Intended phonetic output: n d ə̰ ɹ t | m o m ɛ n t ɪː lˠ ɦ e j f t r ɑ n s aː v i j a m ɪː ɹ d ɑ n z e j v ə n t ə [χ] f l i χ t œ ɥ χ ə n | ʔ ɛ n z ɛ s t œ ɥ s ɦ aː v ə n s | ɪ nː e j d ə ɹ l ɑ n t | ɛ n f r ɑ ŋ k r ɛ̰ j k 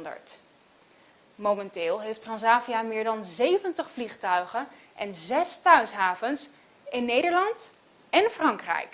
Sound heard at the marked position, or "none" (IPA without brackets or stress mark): χ